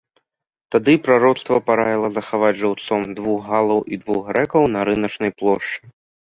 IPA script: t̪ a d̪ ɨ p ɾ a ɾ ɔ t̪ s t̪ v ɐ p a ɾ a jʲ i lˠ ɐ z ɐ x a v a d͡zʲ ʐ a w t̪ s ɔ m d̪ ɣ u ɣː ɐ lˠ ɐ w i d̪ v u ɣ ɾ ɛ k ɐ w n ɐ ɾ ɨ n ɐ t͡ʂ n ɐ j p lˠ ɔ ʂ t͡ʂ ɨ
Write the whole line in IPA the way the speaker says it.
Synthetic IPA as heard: t̪ a d̪ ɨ p ɾ a ɾ ɔ t̪ s t̪ v ɐ p a ɾ a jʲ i lˠ ɐ z ɐ x a v a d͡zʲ ʐ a w t̪ s ɔ m d̪ v u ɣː a lˠ ɐ w i d̪ v u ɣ ɾ ɛ k ɐ w n ɐ ɾ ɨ n ɐ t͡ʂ n ɐ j p lˠ ɔ ʂ t͡ʂ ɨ